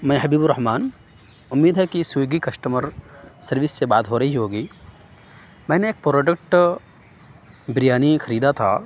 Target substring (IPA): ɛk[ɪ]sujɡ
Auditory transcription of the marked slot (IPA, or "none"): i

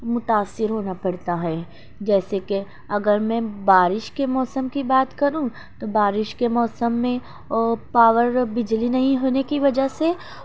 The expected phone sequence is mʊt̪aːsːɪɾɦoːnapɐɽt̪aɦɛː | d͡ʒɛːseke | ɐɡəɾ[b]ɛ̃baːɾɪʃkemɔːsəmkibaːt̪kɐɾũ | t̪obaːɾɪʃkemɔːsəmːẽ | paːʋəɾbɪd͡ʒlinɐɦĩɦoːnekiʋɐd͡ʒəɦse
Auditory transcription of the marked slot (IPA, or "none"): m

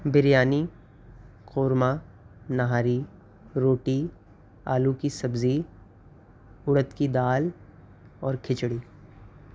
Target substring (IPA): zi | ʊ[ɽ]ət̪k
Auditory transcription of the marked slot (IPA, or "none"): ɽ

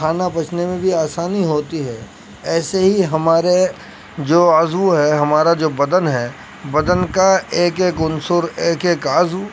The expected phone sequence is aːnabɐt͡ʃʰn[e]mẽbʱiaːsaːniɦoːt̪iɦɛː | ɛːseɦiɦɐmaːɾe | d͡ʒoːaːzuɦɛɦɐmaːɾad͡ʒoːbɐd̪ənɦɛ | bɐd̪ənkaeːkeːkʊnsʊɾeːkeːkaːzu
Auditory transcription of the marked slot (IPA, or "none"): e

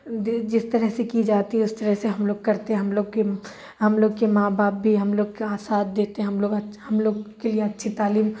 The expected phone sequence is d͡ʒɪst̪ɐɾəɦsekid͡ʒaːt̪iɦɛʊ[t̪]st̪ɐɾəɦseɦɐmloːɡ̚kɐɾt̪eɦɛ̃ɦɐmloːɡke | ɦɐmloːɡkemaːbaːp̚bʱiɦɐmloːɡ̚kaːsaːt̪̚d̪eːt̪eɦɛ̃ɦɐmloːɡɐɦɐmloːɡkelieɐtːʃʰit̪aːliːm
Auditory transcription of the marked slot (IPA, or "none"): none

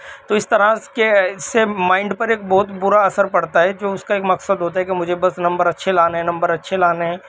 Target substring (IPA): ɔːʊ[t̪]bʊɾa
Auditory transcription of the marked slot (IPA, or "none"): t̪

